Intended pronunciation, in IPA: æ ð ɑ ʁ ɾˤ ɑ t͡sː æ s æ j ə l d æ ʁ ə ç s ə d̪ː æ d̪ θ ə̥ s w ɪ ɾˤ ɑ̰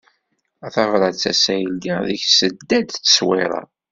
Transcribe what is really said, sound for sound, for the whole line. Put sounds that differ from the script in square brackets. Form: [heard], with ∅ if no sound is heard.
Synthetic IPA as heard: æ [θ] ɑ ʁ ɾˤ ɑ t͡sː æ s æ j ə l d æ [ð] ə ç s ə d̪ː æ d̪ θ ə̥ s w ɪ ɾˤ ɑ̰